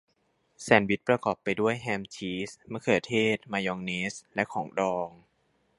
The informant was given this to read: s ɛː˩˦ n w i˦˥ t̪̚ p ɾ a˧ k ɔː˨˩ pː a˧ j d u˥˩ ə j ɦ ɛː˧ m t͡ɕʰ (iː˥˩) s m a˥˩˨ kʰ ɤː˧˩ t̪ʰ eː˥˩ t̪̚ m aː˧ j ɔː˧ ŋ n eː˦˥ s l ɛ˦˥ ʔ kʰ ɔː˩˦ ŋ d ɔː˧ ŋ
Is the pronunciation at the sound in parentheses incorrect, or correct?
incorrect: iː˦˥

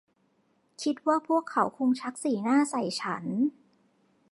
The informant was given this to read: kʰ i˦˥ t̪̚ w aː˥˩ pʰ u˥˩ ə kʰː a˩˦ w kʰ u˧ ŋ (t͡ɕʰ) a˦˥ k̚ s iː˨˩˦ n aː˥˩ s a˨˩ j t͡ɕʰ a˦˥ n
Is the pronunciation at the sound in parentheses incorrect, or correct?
correct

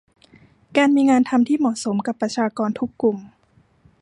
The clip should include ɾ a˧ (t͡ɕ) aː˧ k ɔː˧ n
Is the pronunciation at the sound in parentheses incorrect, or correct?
incorrect: t͡ɕʰ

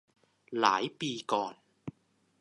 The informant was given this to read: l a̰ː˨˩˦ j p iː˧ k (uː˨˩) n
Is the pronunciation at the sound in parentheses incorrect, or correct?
incorrect: ɔː˨˩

